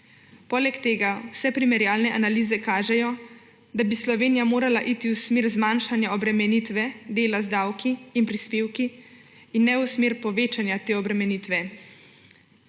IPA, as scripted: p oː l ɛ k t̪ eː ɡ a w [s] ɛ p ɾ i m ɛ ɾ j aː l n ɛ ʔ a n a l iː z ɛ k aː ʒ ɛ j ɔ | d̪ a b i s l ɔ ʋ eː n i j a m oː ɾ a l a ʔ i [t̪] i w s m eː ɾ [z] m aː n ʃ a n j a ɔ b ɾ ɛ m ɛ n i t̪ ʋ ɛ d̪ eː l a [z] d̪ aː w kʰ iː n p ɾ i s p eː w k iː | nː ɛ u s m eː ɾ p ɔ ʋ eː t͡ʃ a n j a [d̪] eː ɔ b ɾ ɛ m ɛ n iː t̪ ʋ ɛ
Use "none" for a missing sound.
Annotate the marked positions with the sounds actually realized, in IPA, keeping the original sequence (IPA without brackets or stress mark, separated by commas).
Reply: s, t̪, z, z, t̪